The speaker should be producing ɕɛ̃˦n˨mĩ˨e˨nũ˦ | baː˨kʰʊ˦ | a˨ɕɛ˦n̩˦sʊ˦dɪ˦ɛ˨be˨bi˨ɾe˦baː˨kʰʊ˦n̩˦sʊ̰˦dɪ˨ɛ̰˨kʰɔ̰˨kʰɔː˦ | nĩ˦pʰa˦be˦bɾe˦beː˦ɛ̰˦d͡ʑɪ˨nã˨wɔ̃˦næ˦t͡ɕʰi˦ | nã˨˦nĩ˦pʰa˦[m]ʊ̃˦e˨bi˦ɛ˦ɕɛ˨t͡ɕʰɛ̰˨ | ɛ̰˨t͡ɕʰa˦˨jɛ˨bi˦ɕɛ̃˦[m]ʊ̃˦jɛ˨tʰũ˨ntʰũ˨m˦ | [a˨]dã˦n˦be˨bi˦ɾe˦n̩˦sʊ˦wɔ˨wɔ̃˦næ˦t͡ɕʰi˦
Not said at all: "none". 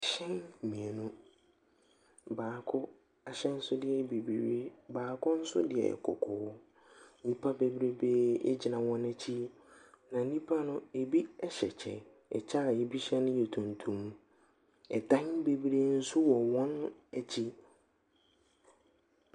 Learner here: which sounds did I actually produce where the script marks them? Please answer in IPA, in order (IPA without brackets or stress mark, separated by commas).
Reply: n, n, ɛ˨